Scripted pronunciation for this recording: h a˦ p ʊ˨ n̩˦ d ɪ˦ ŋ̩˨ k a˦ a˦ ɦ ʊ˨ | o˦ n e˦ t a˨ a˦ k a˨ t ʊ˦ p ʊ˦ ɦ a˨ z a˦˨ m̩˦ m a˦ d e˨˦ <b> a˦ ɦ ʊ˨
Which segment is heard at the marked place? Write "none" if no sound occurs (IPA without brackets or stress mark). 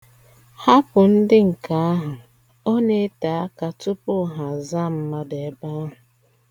b